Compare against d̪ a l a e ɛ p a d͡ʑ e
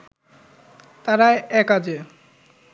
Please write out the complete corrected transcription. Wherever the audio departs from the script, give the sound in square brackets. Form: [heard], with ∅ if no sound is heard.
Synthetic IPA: [t̪] a [ɾ] a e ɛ [k] a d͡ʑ e